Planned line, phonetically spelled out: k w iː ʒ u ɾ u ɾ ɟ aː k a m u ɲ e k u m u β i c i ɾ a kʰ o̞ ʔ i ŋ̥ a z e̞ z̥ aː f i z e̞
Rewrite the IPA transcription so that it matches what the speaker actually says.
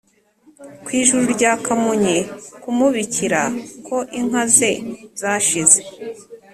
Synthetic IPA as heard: k w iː ʒ u ɾ u ɾ ɟ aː k a m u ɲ e k u m u β i c i ɾ a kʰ o̞ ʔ i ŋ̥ a z e̞ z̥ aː ʃ i z e̞